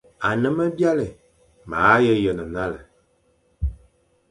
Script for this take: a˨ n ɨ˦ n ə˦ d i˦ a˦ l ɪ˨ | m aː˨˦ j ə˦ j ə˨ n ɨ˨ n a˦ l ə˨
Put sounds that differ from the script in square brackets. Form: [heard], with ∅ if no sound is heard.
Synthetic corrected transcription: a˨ n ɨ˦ [m] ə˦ [b] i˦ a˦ l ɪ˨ | m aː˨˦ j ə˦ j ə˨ n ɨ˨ n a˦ l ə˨